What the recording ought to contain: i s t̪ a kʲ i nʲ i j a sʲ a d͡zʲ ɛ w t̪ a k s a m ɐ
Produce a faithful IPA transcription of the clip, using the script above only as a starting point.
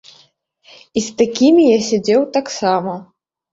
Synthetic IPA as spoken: i s t̪ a kʲ i mʲ i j a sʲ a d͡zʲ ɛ w t̪ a k s a m ɐ